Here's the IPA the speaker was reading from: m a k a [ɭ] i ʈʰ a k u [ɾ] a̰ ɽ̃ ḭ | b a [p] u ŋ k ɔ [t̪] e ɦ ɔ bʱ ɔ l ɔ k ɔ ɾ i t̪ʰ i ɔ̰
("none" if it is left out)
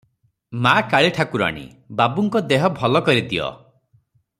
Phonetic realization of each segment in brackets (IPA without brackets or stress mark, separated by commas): ɭ, ɾ, b, d̪